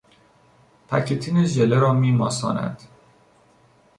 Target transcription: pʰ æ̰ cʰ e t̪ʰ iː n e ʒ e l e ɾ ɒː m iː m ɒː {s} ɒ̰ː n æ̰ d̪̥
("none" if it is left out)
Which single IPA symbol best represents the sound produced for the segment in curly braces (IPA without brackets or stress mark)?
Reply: s